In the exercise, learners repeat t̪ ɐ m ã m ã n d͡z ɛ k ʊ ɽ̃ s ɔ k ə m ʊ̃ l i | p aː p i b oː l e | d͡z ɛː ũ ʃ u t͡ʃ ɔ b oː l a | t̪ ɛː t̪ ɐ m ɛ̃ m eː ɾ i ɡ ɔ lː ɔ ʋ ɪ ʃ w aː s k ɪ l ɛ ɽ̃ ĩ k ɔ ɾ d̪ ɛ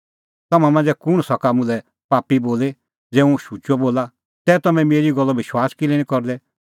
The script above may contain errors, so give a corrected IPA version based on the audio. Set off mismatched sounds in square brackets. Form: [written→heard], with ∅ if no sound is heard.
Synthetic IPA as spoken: t̪ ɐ m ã m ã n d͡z ɛ k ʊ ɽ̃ s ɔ k [ə→a] m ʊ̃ l [i→ɛ] | p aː p i b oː l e | d͡z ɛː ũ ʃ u t͡ʃ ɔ b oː l a | t̪ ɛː t̪ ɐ m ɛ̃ m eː ɾ i ɡ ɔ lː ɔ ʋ ɪ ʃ w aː s k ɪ l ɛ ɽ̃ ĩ k ɔ ɾ d̪ ɛ

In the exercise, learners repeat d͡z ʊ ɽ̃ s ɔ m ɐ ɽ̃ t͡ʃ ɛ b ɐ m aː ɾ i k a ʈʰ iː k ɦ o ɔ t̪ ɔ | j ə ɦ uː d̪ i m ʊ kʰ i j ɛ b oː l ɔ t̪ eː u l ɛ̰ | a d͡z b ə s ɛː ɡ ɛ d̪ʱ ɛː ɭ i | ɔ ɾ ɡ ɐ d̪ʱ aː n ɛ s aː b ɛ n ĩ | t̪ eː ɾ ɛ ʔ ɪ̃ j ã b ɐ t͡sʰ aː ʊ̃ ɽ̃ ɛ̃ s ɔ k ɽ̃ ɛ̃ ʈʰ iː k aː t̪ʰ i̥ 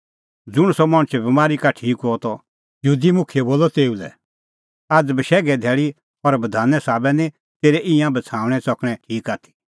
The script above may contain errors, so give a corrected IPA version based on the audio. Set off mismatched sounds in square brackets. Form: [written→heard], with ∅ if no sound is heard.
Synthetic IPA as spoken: d͡z ʊ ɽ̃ s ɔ m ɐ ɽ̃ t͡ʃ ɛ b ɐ m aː ɾ i k a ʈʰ iː k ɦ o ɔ t̪ ɔ | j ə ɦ uː d̪ i m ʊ kʰ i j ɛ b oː l ɔ t̪ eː u l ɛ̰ | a d͡z b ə [s→ʃ] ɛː ɡ ɛ d̪ʱ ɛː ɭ i | ɔ ɾ [ɡ→b] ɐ d̪ʱ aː n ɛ s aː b ɛ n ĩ | t̪ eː ɾ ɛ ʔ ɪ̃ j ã b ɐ t͡sʰ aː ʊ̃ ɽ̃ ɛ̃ s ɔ k ɽ̃ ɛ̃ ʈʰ iː k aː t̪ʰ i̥

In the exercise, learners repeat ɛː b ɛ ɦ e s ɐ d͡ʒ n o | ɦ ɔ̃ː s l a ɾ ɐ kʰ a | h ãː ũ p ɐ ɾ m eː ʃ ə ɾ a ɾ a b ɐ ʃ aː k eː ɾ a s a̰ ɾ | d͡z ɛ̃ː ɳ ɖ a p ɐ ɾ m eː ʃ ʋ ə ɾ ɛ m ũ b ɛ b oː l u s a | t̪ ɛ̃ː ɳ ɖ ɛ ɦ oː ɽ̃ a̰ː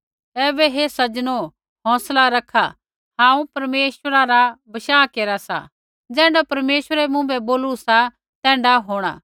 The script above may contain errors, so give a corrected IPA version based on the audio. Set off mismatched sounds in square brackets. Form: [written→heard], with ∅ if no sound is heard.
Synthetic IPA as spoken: ɛː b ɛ ɦ e s ɐ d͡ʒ n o | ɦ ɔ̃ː s l a ɾ ɐ kʰ a | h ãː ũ p ɐ ɾ m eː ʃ ə ɾ a ɾ a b ɐ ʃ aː k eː ɾ a s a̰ [ɾ→∅] | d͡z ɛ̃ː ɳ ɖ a p ɐ ɾ m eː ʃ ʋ ə ɾ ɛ m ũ b ɛ b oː l u s a | t̪ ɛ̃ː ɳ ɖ [ɛ→a] ɦ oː ɽ̃ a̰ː

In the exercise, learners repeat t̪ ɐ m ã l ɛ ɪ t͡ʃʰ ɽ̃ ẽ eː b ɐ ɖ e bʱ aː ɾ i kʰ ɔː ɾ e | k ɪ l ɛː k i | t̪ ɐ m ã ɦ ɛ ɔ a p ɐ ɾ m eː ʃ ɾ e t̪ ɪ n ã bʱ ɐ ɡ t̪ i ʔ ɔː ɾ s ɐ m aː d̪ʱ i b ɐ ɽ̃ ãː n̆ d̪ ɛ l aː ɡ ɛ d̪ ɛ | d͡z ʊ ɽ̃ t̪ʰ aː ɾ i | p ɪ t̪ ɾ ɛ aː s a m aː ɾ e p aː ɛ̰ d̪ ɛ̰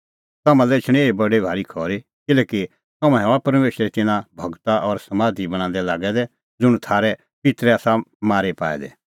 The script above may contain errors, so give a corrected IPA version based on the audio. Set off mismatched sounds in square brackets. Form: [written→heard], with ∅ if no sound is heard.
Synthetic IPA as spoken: t̪ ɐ m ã l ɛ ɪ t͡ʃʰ ɽ̃ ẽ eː b ɐ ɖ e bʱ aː ɾ i kʰ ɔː ɾ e | k ɪ l ɛː k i | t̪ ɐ m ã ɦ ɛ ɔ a p ɐ ɾ m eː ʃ ɾ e t̪ ɪ n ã bʱ ɐ ɡ t̪ [i→a] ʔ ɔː ɾ s ɐ m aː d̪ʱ i b ɐ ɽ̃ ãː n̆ d̪ ɛ l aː ɡ ɛ d̪ ɛ | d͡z ʊ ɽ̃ t̪ʰ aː ɾ [i→ɛ] | p ɪ t̪ ɾ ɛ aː s a m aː ɾ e p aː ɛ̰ d̪ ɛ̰

